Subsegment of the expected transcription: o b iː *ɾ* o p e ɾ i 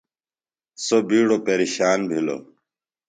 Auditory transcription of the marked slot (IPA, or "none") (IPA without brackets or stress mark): ɽ